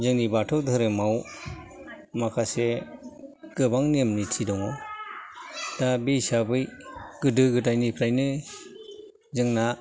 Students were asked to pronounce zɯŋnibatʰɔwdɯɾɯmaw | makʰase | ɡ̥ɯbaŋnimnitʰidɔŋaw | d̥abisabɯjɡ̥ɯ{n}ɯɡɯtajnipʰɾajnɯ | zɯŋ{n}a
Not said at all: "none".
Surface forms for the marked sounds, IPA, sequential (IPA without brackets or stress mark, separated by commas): d, n